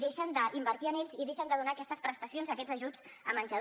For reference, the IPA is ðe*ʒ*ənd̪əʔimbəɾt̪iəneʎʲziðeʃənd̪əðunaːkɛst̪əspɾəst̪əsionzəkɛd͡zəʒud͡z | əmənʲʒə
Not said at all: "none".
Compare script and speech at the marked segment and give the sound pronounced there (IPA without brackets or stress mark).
ʃ